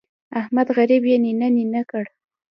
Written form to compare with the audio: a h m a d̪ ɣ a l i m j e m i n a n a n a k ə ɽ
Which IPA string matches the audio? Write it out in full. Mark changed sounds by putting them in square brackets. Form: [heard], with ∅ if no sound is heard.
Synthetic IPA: a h m a d̪ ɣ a [ɾ] i [b] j e [n] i n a n [i] n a k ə ɽ